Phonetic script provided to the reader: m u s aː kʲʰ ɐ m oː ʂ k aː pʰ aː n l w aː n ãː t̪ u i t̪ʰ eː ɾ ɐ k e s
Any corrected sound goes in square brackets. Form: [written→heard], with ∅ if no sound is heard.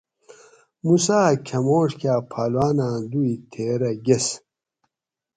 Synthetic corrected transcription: m u s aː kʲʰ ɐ m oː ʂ k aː pʰ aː [n→∅] l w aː n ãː [t̪→d̪] u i t̪ʰ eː ɾ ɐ [k→ɡ] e s